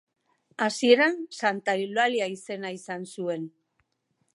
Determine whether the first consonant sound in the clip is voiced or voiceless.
voiceless